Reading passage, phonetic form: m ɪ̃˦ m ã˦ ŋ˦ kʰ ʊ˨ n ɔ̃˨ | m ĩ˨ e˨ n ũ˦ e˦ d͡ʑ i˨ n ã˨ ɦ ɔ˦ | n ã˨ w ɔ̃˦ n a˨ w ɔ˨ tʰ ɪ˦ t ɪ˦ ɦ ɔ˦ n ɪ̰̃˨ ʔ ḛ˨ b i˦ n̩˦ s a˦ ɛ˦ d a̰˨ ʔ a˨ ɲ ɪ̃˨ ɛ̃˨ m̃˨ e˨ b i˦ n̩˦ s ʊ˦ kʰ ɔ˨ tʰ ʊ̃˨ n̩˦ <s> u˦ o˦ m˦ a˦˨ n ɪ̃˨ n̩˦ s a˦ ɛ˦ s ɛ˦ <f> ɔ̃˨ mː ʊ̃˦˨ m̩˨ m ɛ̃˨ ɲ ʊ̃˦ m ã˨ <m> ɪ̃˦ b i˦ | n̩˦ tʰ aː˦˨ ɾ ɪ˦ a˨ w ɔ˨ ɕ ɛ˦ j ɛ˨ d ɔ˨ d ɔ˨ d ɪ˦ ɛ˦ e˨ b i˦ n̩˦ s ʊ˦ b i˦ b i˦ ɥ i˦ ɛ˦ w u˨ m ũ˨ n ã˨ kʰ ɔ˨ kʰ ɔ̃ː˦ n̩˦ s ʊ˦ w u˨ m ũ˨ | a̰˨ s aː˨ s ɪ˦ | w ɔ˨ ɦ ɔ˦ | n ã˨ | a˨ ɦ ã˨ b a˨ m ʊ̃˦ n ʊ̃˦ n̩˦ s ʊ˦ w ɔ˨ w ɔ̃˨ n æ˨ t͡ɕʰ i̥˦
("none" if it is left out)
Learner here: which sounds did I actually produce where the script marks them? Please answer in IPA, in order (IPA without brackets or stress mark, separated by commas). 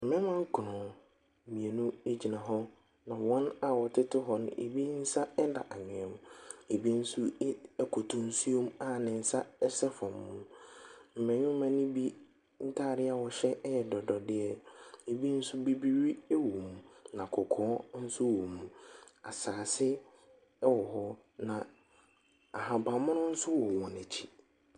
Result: s, f, n